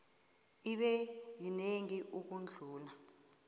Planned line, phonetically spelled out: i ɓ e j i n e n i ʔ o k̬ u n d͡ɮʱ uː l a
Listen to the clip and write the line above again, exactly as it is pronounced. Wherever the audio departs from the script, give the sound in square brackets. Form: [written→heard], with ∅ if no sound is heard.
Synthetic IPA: i ɓ [e→ɛ] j i n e [n→ŋ] i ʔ [o→u] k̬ u n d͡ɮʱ uː l a